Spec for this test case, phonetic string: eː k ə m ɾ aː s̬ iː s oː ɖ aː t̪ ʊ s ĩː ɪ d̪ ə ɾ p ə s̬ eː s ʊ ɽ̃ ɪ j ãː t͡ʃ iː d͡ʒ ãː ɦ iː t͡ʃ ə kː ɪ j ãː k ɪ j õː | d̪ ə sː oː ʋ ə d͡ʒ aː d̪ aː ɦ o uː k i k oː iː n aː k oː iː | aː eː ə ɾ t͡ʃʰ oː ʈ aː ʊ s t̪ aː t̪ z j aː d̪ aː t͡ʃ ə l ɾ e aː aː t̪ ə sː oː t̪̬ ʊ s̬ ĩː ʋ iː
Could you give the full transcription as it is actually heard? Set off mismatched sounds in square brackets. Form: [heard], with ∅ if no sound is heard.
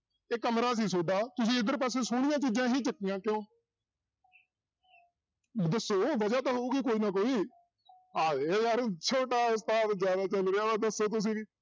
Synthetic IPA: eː k ə m ɾ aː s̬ iː s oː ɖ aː t̪ ʊ s ĩː ɪ d̪ ə ɾ p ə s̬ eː s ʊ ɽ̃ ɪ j ãː t͡ʃ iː d͡ʒ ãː ɦ iː t͡ʃ ə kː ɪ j ãː k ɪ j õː | d̪ ə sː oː ʋ ə d͡ʒ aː [t̪] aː ɦ o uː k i k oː iː n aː k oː iː | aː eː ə ɾ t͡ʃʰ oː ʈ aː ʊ s t̪ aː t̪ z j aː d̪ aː t͡ʃ ə l ɾ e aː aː [d̪] ə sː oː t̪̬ ʊ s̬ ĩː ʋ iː

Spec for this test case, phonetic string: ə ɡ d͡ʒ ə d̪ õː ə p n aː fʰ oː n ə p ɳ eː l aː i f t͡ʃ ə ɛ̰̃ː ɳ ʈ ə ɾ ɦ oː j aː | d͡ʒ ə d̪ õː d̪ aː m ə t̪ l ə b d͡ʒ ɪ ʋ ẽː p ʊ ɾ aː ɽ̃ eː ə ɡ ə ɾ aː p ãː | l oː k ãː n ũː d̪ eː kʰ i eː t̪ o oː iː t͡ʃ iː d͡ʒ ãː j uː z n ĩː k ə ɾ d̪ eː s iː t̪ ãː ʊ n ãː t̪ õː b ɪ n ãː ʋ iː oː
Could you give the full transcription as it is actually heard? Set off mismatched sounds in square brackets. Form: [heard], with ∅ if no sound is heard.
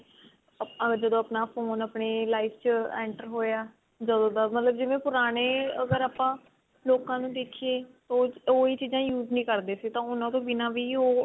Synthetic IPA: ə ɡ d͡ʒ ə d̪ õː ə p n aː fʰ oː n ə p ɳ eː l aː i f t͡ʃ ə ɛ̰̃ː ɳ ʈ ə ɾ ɦ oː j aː | d͡ʒ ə d̪ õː d̪ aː m ə t̪ l ə b d͡ʒ ɪ ʋ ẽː p ʊ ɾ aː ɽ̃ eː ə ɡ ə ɾ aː p ãː | l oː k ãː n ũː d̪ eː kʰ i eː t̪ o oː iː t͡ʃ iː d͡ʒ ãː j uː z n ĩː k ə ɾ d̪ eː s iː t̪ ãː ʊ n ãː t̪ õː b ɪ n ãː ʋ iː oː

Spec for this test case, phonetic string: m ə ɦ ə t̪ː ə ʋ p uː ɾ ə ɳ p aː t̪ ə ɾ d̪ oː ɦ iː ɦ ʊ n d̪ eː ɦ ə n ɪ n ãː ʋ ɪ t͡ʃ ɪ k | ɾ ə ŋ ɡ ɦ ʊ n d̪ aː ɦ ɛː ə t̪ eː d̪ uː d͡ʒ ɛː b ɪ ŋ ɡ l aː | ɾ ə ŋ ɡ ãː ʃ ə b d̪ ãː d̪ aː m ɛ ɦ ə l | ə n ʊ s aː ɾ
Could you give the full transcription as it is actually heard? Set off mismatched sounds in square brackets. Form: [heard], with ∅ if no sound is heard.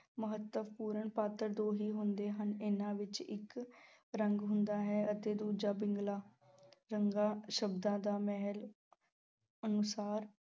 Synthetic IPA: m ə ɦ ə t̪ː ə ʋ p uː ɾ ə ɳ p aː t̪ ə ɾ d̪ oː ɦ iː ɦ ʊ n d̪ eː ɦ ə n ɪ n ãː ʋ ɪ t͡ʃ ɪ k | ɾ ə ŋ ɡ ɦ ʊ n d̪ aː ɦ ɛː ə t̪ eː d̪ uː d͡ʒ [aː] b ɪ ŋ ɡ l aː | ɾ ə ŋ ɡ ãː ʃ ə b d̪ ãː d̪ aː m ɛ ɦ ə l | ə n ʊ s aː ɾ

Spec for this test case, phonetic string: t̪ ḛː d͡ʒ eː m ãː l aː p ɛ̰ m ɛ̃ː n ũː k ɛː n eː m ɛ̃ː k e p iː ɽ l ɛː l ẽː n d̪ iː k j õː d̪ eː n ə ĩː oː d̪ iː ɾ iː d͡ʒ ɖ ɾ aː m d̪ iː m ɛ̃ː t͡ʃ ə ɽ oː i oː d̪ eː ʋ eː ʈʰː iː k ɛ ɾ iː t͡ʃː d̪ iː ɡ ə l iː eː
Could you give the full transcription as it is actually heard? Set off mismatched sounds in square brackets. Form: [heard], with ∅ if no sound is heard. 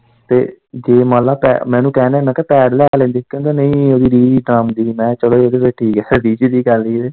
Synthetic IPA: t̪ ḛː d͡ʒ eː m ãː l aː p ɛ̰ m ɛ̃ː n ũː k ɛː n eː m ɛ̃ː k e p [ɛː] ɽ l ɛː l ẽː n d̪ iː k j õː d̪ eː n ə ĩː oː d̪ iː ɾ iː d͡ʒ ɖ ɾ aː m d̪ iː m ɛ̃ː t͡ʃ ə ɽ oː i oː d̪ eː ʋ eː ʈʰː iː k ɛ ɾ iː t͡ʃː d̪ iː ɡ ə l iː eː

